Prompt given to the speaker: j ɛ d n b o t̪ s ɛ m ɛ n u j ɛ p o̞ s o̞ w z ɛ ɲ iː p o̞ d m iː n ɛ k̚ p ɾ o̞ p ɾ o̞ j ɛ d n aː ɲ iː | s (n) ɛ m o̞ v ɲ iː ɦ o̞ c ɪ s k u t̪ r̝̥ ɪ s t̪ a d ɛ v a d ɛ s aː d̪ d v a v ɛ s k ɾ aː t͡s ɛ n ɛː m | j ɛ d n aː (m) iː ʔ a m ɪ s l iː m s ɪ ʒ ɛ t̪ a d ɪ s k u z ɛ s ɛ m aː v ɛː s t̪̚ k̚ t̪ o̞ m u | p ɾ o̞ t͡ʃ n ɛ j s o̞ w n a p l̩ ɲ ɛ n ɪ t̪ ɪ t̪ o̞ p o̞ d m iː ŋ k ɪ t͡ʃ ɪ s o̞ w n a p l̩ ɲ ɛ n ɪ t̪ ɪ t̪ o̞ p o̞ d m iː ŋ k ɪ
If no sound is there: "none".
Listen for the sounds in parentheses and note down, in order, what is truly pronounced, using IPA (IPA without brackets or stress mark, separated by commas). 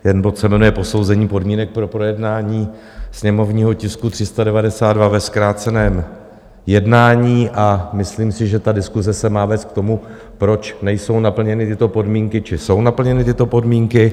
ɲ, ɲ